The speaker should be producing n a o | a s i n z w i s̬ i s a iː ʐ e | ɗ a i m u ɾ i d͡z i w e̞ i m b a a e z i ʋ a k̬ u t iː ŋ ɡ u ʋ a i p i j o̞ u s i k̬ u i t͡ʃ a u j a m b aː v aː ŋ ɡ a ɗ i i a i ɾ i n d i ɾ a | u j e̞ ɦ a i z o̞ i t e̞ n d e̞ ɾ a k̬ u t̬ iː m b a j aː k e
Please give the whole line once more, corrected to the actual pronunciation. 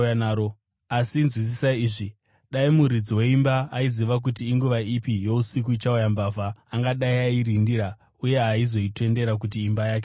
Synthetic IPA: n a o | a s i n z w i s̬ i s a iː ʐ i | ɗ a i m u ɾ i d͡z i w e̞ i m b a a i z i ʋ a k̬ u t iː ŋ ɡ u ʋ a i p i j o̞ u s i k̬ u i t͡ʃ a u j a m b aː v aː ŋ ɡ a ɗ a i a i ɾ i n d i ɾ a | u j e̞ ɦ a i z o̞ i t e̞ n d e̞ ɾ a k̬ u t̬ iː m b a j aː k e

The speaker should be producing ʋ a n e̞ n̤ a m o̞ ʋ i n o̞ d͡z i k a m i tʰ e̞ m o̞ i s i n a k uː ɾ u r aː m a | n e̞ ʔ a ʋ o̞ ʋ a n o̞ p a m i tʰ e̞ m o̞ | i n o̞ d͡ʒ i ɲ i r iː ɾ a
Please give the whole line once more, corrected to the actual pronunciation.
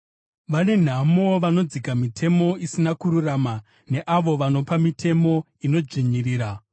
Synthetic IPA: ʋ a n e̞ n̤ a m o̞ ʋ a n o̞ d͡z i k a m i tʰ e̞ m o̞ i s i n a k u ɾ u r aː m a | n e̞ ʔ a ʋ o̞ ʋ a n o̞ p a m i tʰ e̞ m o̞ | i n o̞ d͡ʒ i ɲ i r iː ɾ a

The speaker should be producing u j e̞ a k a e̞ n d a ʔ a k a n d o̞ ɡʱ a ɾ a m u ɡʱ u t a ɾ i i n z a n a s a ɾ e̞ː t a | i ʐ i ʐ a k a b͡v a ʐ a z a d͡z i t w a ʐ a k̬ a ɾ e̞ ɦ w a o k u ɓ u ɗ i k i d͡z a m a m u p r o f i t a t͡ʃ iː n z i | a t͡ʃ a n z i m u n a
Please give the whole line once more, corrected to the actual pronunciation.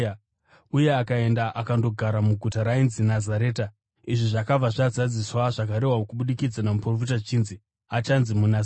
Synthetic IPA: u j e̞ a k a e̞ n d a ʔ a k a n d o̞ ɡʱ a ɾ a m u ɡʱ u t a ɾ a i n z i n a z a ɾ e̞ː t a | i ʐ i ʐ a k a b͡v a ʐ a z a d͡z i s w a ʐ a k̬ a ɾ e̞ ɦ w a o k u ɓ u ɗ i k i d͡z a n a m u p r o f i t a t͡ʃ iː n z i | a t͡ʃ a n z i m u n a

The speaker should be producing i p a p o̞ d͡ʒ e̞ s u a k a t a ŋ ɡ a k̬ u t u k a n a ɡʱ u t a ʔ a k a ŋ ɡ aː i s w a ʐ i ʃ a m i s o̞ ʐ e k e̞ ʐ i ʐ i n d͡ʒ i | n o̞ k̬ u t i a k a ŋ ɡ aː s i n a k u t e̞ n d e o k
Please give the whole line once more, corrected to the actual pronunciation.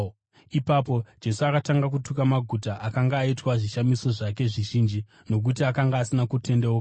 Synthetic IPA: i p a p o̞ d͡ʒ e̞ s u a k a t a ŋ ɡ a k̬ u t u k a m a ɡʱ u t a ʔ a k a ŋ ɡ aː i t w a ʐ i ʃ a m i s o̞ ʐ a k e̞ ʐ i ʒ i n d͡ʒ i | n o̞ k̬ u t i a k a ŋ ɡ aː s i n a k u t e̞ n d e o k

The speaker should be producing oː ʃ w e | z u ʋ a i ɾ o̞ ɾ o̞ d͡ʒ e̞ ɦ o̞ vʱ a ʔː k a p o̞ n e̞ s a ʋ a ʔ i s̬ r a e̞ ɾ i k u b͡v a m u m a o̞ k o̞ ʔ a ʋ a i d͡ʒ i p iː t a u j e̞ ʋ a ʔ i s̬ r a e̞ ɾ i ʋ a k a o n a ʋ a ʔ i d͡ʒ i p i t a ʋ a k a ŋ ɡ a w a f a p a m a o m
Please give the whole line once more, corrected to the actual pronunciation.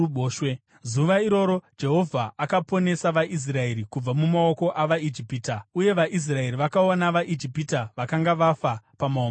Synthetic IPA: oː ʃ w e | z u ʋ a i ɾ o̞ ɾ o̞ d͡ʒ e̞ ɦ o̞ vʱ a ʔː k a p o̞ n e̞ s a ʋ a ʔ i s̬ r a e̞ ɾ i k u b͡v a m u m a o̞ k o̞ ʔ a ʋ a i d͡ʒ i p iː t a u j e̞ ʋ a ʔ i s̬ r a e̞ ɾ i ʋ a k a o n a ʋ a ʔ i d͡ʒ i p i t a ʋ a k a ŋ ɡ a ʋ a f a p a m a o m

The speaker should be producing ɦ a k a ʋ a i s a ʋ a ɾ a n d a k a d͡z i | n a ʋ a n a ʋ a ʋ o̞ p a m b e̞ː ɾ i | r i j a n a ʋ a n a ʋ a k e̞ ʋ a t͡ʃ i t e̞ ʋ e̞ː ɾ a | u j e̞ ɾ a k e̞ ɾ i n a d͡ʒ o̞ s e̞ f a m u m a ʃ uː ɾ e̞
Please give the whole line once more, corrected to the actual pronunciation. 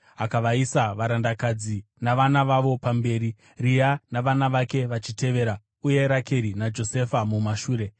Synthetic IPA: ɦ a k a ʋ a i s a ʋ a ɾ a n d a k a d͡z i | n a ʋ a n a ʋ a ʋ o̞ p a m b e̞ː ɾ i | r i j a n a ʋ a n a ʋ a k e̞ ʋ a t͡ʃ i t e̞ ʋ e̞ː ɾ a | u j e̞ ɾ a k e̞ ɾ i n a d͡ʒ o̞ s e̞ f a m u m a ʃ uː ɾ e̞

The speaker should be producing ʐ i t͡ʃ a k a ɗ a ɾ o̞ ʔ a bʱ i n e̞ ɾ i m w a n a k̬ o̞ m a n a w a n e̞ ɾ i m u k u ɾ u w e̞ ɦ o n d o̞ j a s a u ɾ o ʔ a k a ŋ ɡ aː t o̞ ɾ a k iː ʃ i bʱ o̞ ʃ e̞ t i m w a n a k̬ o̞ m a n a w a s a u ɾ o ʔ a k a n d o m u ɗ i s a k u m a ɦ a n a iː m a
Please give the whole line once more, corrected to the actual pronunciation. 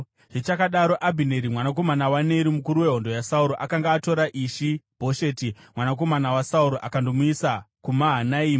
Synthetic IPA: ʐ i t͡ʃ a k a ɗ a ɾ o̞ ʔ a bʱ i n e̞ ɾ i m w a n a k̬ o̞ m a n a w a n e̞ ɾ i m u k u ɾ u w e̞ ɦ o n d o̞ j a s a u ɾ o ʔ a k a ŋ ɡ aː t o̞ ɾ a ʔ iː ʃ i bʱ o̞ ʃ e̞ t i m w a n a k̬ o̞ m a n a w a s a u ɾ o ʔ a k a n d o m u i s a k u m a ɦ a n a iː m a

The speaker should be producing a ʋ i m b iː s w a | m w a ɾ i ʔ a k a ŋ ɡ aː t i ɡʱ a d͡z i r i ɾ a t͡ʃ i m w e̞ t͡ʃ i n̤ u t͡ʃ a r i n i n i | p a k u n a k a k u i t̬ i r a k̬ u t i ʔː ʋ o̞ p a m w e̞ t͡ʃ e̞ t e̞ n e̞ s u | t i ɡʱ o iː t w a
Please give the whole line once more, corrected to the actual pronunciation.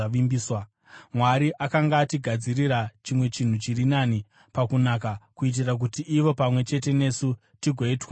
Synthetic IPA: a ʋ i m b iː s w a | m w a ɾ i ʔ a k a ŋ ɡ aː t i ɡʱ a d͡z i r i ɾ a t͡ʃ i m w e̞ t͡ʃ i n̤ u t͡ʃ i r i n a n i | p a k u n a k a k u i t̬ i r a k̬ u t i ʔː ʋ o̞ p a m w e̞ t͡ʃ e̞ t e̞ n e̞ s u | t i ɡʱ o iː t w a

